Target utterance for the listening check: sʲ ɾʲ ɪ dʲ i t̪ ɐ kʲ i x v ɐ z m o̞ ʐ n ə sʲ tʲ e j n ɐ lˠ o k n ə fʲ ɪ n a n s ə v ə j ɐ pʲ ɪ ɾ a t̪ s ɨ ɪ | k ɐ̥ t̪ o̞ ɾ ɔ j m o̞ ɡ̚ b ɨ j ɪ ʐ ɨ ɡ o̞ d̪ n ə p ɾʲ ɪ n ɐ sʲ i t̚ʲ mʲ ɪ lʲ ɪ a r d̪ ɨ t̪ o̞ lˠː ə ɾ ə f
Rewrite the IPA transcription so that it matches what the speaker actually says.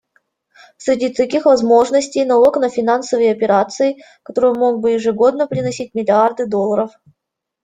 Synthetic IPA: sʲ ɾʲ ɪ dʲ i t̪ ɐ kʲ i x v ɐ z m o̞ ʐ n ə sʲ tʲ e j n ɐ lˠ o k n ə fʲ ɪ n a n s ə v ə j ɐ pʲ ɪ ɾ a t̪ s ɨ ɪ | k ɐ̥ t̪ o̞ ɾ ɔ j m o̞ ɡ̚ b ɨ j ɪ ʐ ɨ ɡ o̞ d̪ n ə p ɾʲ ɪ n ɐ sʲ i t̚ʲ mʲ ɪ lʲ ɪ a r d̪ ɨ d̪ o̞ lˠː ə ɾ ə f